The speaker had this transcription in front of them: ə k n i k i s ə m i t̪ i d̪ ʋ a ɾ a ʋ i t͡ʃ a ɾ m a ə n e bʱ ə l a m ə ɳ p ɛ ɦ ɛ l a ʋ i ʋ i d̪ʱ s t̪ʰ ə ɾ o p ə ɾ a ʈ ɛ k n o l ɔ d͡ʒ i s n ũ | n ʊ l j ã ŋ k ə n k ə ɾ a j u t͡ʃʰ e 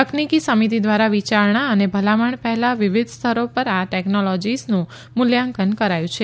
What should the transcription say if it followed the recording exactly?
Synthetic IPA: ə k n i k i s ə m i t̪ i d̪ ʋ a ɾ a ʋ i t͡ʃ a ɾ ɳ a ə n e bʱ ə l a m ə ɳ p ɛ ɦ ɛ l a ʋ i ʋ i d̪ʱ s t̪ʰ ə ɾ o p ə ɾ a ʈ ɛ k n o l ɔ d͡ʒ i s n ũ | m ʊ l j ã ŋ k ə n k ə ɾ a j ũ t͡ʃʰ e